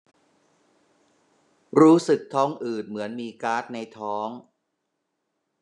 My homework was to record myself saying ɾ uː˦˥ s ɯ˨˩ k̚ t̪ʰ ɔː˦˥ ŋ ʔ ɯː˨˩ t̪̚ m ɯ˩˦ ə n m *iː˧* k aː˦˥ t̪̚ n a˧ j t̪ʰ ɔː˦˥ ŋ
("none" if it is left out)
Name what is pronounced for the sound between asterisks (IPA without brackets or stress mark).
iː˧